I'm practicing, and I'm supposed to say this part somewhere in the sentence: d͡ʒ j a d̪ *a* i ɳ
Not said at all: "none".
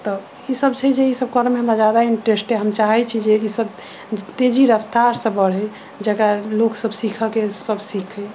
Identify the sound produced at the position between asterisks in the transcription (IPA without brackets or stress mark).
a